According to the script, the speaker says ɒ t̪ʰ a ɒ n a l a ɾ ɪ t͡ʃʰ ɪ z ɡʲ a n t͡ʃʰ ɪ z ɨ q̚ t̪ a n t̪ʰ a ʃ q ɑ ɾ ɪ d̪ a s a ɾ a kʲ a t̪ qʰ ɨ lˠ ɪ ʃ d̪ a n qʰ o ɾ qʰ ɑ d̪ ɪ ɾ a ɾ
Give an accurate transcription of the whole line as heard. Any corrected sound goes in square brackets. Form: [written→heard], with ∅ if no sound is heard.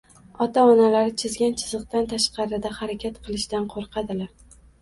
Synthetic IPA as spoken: ɒ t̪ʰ a ɒ n a l a ɾ ɪ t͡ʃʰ ɪ z ɡʲ a n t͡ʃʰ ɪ z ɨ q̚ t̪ a n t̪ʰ a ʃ q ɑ ɾ ɪ d̪ a [s→h] a ɾ a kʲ a t̪ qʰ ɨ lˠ ɪ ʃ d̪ a n qʰ o ɾ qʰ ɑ d̪ ɪ [ɾ→l] a ɾ